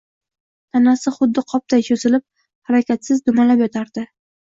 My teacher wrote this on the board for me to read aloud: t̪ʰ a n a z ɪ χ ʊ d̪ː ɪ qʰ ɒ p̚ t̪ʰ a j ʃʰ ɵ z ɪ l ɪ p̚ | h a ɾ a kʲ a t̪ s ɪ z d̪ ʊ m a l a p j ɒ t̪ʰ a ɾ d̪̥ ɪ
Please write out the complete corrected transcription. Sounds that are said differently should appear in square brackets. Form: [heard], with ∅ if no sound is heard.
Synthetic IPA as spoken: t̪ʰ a n a [s] ɪ χ ʊ d̪ː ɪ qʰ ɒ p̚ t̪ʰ a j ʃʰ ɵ z ɪ l ɪ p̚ | h a ɾ a kʲ a t̪ s ɪ z d̪ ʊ m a l a p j ɒ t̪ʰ a ɾ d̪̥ ɪ